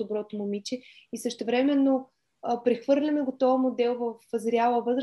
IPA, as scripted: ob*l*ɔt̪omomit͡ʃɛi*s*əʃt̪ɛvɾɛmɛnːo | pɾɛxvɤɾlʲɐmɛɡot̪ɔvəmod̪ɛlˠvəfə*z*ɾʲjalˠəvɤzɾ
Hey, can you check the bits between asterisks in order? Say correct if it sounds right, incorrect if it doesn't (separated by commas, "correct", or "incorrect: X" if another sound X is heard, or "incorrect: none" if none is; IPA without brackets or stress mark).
incorrect: ɾ, correct, correct